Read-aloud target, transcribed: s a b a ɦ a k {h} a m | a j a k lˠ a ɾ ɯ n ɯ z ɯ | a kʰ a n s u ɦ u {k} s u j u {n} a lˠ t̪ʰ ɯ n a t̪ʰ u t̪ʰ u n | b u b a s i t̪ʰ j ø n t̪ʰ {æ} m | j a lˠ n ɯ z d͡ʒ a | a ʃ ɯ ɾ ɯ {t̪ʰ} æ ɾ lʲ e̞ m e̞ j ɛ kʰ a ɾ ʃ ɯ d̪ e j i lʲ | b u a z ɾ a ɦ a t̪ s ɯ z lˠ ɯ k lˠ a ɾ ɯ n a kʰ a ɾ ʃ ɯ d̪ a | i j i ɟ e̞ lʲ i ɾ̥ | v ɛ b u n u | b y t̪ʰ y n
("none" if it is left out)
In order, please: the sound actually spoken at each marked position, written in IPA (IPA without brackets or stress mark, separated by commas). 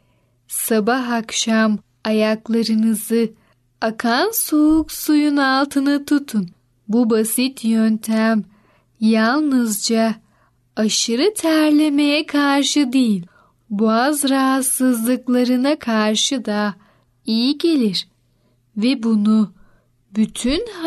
ʃ, k, n, æ, t̪ʰ